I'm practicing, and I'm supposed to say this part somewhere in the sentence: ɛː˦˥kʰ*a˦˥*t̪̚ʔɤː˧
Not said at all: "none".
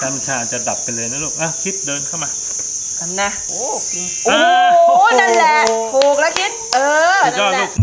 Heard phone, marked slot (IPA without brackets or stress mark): i˦˥